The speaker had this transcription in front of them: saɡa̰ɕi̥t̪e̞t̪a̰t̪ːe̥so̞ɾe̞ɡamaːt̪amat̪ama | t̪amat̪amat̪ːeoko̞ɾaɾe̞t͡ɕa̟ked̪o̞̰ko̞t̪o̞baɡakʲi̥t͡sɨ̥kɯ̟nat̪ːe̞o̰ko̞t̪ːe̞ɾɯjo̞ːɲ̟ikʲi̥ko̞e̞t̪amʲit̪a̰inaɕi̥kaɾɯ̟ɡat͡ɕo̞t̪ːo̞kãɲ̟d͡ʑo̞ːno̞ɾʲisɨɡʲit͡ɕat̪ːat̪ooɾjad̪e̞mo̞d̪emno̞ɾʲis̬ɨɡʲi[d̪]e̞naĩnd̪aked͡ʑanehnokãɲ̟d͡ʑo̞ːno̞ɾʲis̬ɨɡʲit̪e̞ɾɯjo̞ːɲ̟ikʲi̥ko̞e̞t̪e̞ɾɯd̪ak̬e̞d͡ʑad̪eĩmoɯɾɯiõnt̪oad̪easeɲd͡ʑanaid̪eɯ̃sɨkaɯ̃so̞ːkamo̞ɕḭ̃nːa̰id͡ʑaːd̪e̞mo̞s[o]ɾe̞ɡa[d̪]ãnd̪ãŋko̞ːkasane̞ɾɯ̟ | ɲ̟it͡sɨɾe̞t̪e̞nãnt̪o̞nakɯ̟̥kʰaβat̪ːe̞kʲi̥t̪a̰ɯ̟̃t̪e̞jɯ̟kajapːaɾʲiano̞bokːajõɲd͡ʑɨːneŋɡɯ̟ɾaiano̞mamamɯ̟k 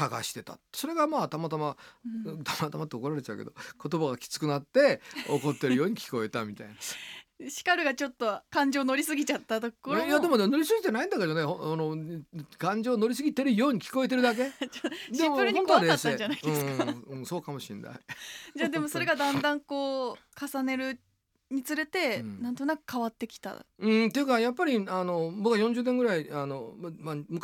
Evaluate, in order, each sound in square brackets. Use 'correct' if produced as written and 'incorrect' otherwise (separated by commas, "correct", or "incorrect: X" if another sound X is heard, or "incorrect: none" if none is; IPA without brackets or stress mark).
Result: incorrect: t̪, correct, correct